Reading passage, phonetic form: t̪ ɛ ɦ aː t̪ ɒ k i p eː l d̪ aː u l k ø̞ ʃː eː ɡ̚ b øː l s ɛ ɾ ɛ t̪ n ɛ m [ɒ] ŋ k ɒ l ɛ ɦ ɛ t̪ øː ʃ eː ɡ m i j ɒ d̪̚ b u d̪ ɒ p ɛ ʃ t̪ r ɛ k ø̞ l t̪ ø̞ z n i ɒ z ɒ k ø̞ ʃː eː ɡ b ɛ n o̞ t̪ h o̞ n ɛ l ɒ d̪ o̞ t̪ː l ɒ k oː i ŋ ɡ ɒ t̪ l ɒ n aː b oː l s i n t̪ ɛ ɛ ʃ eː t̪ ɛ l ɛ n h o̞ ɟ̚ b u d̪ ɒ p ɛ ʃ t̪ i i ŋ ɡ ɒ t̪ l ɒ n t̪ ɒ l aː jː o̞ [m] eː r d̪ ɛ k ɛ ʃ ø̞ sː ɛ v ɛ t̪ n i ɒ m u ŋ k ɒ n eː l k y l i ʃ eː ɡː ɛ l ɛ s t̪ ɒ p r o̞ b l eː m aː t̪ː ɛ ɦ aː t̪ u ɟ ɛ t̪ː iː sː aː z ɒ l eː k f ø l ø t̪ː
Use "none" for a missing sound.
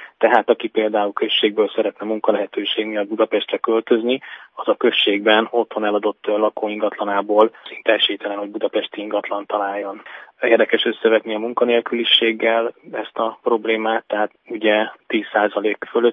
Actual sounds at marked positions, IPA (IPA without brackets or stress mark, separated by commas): u, n